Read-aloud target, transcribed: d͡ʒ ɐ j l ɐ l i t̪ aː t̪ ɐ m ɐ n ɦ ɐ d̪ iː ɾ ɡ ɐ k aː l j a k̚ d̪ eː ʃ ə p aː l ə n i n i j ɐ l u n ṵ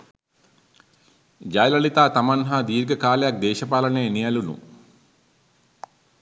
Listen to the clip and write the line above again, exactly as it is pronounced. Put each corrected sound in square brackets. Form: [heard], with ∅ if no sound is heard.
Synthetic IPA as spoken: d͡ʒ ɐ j l ɐ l i t̪ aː t̪ ɐ m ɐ n ɦ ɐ d̪ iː ɾ ɡ ɐ k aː l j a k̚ d̪ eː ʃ [ɐ] p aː l [ɐ] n [e] n i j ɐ l u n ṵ